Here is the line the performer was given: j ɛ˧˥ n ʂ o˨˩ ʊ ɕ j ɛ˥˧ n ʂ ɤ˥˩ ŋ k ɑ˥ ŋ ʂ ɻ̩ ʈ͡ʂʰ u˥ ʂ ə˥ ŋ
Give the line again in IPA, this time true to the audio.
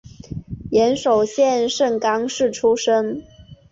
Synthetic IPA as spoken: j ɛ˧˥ n ʂ o˨˩ ʊ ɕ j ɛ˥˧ n ʂ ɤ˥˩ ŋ k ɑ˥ ŋ ʂ ɻ̩ ʈ͡ʂʰ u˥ ʂ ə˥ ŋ